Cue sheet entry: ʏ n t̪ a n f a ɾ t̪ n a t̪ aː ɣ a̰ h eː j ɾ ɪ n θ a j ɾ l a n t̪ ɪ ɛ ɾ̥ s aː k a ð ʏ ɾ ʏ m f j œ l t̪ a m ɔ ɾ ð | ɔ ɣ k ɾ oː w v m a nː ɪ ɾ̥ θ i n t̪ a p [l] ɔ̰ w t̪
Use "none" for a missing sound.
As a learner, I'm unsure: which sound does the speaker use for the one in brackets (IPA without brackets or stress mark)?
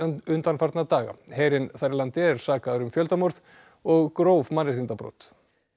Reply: ɾ